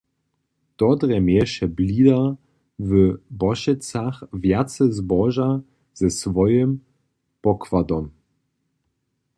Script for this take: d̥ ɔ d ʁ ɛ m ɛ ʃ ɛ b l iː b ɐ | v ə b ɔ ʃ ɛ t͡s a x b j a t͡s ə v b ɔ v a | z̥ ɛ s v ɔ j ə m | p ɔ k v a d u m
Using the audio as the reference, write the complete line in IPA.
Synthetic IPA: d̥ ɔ d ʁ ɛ m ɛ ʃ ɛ b l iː d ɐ | v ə b ɔ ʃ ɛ t͡s a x v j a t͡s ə z b ɔ ʒ a | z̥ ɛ s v ɔ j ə m | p ɔ k v a d ɔ m

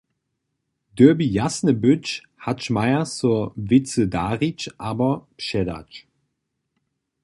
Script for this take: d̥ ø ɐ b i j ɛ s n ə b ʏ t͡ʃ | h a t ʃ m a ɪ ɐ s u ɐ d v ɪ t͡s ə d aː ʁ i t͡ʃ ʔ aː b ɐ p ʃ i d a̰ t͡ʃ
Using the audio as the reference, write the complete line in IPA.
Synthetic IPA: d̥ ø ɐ b i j a s n ə b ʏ t͡ʃ | h a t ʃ m a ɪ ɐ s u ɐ v ɪ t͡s ə d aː ʁ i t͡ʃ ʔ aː b ɐ p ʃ ɛ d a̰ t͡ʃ

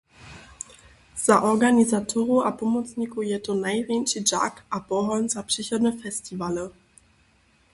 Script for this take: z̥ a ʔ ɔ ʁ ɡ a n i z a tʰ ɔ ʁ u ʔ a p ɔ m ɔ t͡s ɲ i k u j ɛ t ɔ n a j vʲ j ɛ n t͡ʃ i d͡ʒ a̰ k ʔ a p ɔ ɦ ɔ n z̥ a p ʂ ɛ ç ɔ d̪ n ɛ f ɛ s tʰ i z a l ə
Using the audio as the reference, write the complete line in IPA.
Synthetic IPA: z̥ a ʔ ɔ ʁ ɡ a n i z a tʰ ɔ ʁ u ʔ a p ɔ m ɔ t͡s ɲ i k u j ɛ t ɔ n a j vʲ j ɛ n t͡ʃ i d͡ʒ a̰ k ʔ a p ɔ ɦ ɔ n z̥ a p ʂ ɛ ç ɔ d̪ n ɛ f ɛ s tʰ i v a l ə

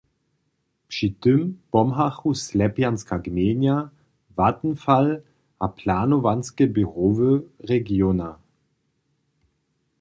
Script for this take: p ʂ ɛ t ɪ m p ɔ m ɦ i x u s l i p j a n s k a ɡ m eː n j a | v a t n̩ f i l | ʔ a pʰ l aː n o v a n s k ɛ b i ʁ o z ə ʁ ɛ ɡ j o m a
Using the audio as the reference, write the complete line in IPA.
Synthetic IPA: p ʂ i t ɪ m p ɔ m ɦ a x u s l ɛ p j a n s k a ɡ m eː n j a | v a t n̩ f a l | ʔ a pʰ l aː n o v a n s k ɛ b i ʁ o v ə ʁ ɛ ɡ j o n a

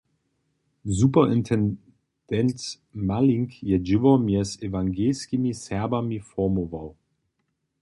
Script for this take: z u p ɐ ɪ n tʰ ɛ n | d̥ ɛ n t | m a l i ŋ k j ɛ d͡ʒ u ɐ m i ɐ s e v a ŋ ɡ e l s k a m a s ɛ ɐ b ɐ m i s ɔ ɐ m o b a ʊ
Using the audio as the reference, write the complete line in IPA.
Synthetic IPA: z u p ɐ ɪ n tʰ ɛ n | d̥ ɛ n t | m a l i ŋ k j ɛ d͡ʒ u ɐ m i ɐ s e v a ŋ ɡ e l s k i m i s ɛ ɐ b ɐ m i f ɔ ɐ m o v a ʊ

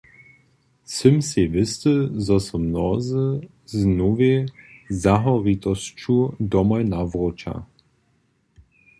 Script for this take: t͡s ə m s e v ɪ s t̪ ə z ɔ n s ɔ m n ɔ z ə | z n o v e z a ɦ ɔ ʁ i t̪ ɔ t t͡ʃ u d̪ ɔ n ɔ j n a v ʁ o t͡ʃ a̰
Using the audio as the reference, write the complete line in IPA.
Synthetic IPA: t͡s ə m s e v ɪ s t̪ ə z ɔ s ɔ m n ɔ z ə | z n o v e z a ɦ ɔ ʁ i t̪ ɔ s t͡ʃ u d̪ ɔ m ɔ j n a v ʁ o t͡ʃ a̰

